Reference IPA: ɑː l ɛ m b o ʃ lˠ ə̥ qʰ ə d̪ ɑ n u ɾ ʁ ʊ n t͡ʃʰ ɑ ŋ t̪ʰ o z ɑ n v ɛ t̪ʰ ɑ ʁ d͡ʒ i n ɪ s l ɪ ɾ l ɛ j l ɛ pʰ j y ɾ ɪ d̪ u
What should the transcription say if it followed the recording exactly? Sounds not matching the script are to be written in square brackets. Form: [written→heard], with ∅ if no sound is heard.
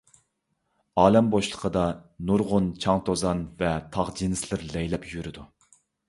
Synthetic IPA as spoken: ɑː l ɛ m b o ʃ lˠ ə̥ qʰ ə d̪ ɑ n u ɾ ʁ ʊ n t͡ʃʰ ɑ ŋ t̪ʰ o z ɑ n v ɛ t̪ʰ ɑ ʁ d͡ʒ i n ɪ s l ɪ ɾ l ɛ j l ɛ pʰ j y ɾ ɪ d̪ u